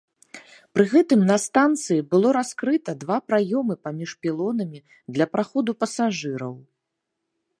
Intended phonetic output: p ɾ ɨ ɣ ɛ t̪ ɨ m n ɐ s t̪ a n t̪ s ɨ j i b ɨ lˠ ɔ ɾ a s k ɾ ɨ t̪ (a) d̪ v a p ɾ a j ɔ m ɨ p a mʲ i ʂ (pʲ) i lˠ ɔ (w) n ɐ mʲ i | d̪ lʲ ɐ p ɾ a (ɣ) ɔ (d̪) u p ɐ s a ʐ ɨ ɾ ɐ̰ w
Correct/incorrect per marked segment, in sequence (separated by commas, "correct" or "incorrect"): incorrect, correct, incorrect, incorrect, correct